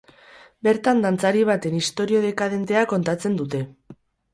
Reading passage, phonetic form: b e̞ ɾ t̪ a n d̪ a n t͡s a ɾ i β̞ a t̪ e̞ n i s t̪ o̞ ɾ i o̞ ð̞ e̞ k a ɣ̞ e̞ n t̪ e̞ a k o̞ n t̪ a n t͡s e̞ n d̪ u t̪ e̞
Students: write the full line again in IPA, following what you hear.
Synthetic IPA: b e̞ ɾ t̪ a n d̪ a n t͡s a ɾ i β̞ a t̪ e̞ n i s t̪ o̞ ɾ i o̞ ð̞ e̞ k a ð̞ e̞ n t̪ e̞ a k o̞ n t̪ a t͡s e̞ n d̪ u t̪ e̞